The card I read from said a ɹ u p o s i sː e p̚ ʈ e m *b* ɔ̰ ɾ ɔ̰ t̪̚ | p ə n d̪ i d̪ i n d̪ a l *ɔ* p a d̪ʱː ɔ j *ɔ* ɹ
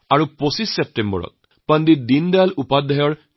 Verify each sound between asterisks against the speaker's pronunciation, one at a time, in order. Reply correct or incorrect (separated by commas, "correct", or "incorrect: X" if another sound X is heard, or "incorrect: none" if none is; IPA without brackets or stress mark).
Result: correct, incorrect: u, correct